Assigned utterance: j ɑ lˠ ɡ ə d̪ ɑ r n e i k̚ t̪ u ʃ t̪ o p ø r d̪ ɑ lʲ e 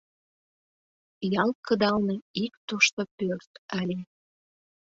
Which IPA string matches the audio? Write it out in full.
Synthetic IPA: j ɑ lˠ k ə d̪ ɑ l n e i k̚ t̪ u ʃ t̪ o p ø r t̪ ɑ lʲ e